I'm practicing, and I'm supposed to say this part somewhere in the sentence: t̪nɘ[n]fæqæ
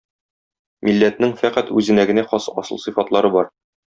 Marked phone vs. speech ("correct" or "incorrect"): incorrect